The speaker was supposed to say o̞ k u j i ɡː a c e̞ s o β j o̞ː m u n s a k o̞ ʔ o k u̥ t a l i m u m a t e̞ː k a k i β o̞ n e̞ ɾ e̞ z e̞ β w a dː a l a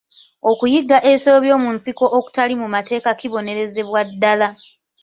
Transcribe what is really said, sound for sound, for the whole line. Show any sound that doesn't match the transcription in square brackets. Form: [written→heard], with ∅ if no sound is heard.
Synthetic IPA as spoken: o̞ k u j i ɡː a [c→ʔ] e̞ s o β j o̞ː m u n s [a→i] k o̞ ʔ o k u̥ t a l i m u m a t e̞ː k a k i β o̞ n e̞ ɾ e̞ z e̞ β w a dː a l a